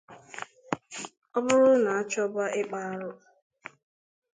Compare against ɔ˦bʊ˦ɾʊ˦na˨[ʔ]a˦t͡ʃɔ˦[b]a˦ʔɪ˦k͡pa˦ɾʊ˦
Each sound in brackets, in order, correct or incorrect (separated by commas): incorrect, correct